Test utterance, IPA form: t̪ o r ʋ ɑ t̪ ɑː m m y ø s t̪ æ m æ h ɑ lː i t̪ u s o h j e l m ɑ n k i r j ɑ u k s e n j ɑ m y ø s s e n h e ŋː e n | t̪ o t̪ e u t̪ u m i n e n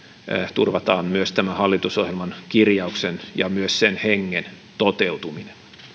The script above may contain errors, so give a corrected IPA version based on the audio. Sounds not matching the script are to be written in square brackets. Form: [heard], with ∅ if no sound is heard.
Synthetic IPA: t̪ [u] r ʋ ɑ t̪ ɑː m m y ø s t̪ æ m æ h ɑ lː i t̪ u s o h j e l m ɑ n k i r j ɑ u k s e n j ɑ m y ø s s e n h e ŋː e n | t̪ o t̪ e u t̪ u m i n e n